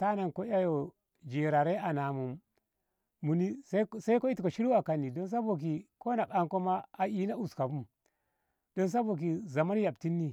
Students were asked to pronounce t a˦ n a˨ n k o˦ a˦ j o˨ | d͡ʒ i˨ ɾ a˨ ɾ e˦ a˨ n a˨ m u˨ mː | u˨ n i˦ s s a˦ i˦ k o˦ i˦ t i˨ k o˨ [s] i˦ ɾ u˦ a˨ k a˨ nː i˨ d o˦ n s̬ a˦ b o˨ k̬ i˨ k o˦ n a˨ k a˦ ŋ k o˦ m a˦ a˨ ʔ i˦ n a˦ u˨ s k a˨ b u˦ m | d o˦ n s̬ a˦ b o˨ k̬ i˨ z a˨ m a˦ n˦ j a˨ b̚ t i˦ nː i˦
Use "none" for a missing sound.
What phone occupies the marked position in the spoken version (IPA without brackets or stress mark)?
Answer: ʃ